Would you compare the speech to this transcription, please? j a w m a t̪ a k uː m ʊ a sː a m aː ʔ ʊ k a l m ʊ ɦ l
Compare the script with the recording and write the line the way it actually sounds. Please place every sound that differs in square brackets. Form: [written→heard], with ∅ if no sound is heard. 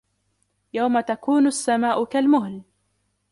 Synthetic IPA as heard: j a w m a t̪ a k uː [m→n] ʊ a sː a m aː ʔ ʊ k a l m ʊ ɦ l